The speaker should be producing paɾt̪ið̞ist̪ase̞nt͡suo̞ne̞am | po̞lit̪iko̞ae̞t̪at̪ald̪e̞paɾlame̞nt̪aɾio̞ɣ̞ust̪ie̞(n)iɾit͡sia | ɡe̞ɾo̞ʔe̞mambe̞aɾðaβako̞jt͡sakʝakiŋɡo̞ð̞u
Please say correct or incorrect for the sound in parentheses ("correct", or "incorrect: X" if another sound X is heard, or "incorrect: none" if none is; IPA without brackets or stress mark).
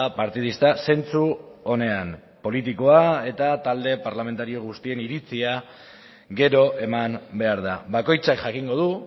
correct